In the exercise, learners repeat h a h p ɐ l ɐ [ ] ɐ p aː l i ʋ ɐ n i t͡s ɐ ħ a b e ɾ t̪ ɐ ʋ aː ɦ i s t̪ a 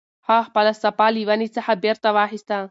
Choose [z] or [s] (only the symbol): s